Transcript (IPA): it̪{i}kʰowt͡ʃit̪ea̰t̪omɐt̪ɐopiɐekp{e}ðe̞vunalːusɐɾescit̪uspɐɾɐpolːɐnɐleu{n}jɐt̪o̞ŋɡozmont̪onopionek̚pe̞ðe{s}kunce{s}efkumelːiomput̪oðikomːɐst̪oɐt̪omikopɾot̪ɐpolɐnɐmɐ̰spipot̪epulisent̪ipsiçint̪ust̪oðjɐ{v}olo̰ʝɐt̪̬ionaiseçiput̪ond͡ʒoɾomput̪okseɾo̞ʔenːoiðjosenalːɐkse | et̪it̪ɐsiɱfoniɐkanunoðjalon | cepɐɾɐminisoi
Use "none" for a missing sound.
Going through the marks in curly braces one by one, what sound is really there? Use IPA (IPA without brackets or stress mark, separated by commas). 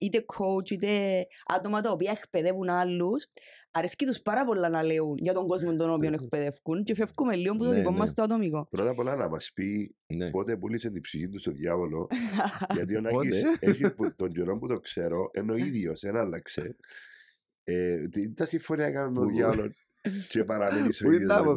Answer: e, e, n, f, f, v